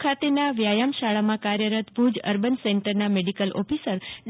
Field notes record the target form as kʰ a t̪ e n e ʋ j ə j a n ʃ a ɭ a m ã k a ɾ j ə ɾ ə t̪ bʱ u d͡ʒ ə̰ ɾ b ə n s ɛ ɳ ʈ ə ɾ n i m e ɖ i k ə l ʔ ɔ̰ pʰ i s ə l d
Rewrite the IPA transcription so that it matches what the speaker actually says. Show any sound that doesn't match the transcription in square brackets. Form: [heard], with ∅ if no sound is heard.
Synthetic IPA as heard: kʰ a t̪ e n [a] ʋ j [a] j a [m] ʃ a ɭ a m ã k a ɾ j ə ɾ ə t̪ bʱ u d͡ʒ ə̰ ɾ b ə n s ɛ ɳ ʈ ə ɾ n [a] m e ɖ i k ə l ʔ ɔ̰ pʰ i s ə [ɾ] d